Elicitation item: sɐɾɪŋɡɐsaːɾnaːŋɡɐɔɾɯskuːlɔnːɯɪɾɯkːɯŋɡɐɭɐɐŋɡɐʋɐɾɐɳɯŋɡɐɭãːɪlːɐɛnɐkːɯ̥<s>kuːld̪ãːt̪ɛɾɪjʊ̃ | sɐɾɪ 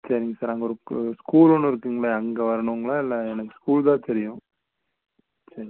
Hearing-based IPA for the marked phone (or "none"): s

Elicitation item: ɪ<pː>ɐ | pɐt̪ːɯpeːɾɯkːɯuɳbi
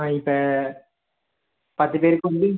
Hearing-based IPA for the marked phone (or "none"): pː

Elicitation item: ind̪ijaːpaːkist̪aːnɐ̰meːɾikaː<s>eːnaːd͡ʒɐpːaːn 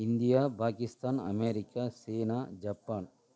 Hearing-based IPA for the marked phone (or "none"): s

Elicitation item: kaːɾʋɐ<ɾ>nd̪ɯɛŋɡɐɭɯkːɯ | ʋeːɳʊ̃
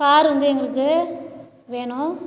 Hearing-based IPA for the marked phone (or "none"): none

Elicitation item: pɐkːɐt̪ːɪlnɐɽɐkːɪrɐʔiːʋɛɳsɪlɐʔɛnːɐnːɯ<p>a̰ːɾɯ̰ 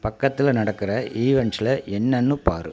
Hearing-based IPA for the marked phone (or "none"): p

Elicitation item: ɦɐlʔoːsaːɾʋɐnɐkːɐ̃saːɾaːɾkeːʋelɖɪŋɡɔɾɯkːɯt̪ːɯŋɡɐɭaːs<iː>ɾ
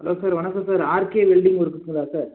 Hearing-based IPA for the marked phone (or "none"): aː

